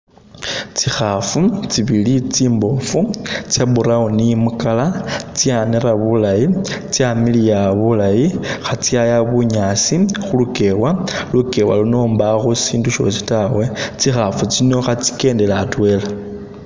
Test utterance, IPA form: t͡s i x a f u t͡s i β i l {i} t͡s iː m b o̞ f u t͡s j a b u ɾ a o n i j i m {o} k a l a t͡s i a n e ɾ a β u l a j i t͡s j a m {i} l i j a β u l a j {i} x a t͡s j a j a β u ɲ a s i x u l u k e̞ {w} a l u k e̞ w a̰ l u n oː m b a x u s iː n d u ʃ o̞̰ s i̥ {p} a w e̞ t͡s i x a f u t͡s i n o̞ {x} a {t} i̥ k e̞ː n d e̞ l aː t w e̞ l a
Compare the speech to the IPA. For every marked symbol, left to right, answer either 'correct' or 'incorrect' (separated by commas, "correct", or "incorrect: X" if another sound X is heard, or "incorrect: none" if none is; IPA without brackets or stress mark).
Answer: correct, incorrect: u, correct, correct, correct, incorrect: t, correct, incorrect: t͡s